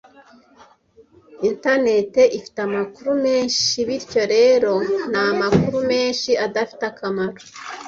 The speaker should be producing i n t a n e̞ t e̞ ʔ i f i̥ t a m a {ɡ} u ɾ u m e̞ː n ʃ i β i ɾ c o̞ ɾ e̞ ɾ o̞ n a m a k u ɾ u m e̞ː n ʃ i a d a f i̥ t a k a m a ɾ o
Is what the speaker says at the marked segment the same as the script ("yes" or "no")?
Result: no